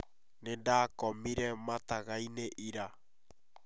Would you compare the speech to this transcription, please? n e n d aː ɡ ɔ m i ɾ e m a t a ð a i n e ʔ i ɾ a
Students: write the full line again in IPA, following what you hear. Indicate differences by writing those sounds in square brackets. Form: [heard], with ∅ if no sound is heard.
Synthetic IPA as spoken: n e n d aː [k] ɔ m i ɾ [ɛ] m a t a [ɣ] a i n e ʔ i ɾ a